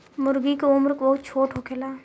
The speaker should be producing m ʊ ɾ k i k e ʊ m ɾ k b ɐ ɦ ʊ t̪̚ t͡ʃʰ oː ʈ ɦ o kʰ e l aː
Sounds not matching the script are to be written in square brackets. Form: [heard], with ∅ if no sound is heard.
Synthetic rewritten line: m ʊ ɾ [ɡ] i k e ʊ m ɾ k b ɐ ɦ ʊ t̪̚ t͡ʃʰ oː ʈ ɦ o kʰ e l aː